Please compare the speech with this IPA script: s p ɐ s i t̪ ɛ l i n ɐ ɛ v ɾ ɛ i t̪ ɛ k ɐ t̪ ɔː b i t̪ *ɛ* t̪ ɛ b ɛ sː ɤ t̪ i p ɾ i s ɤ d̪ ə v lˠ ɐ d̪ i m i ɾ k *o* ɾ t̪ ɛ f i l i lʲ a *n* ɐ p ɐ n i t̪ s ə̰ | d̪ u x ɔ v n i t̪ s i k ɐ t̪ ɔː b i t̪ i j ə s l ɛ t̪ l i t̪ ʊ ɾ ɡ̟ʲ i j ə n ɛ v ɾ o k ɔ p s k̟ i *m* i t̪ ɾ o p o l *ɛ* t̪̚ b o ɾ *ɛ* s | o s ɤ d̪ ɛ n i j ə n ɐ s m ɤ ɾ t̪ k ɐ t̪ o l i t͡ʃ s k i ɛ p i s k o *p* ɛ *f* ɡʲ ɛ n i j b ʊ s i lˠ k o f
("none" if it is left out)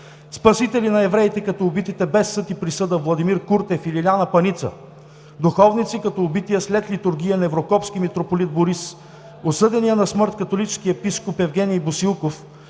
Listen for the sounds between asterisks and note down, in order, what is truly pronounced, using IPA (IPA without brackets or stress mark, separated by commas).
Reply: i, u, n, m, i, i, p, v